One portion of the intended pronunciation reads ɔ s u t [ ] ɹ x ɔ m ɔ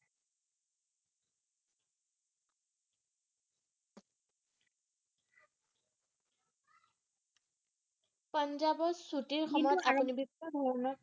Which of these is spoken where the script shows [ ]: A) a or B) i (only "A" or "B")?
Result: B